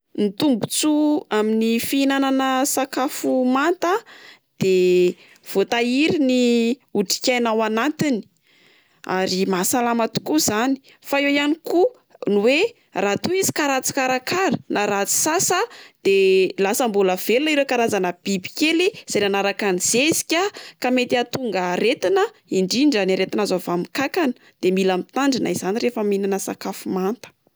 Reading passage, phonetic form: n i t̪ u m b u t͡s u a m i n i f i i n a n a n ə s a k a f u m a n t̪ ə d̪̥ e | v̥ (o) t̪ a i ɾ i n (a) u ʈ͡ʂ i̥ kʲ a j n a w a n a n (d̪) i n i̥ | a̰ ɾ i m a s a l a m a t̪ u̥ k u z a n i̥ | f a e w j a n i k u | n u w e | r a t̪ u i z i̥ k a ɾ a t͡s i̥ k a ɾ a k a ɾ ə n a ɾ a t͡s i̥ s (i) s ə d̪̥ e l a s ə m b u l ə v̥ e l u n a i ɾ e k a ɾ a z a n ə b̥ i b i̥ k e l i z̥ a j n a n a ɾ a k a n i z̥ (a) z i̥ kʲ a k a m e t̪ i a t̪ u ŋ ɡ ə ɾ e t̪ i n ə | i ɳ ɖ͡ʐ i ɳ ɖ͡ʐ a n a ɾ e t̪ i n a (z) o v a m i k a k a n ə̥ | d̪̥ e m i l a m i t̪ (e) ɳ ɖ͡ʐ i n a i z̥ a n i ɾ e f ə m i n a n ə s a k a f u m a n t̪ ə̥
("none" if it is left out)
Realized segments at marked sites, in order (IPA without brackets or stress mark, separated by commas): o, i, t̪, a, e, z, a